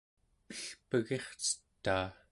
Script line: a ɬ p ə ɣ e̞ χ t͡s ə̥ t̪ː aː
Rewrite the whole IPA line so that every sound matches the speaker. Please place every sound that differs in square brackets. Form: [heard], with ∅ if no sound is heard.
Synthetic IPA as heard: [ə] ɬ p ə ɣ e̞ χ t͡s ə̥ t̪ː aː